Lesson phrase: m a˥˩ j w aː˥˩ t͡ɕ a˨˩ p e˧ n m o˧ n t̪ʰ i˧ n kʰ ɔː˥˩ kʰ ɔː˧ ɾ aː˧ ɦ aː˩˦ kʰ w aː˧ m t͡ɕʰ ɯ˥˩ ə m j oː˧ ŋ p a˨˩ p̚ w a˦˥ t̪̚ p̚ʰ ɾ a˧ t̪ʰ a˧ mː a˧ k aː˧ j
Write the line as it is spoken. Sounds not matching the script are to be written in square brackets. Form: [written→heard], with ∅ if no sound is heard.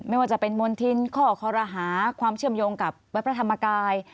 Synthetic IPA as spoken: m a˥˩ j w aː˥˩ t͡ɕ a˨˩ p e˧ n m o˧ n t̪ʰ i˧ n kʰ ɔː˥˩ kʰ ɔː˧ ɾ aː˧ ɦ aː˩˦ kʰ w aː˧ m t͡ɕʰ ɯ˥˩ ə m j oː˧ ŋ [p→k] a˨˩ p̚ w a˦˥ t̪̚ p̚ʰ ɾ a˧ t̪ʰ a˧ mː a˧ k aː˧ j